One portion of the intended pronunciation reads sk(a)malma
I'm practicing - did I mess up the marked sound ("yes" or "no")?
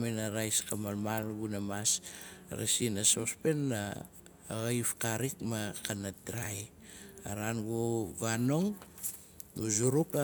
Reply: no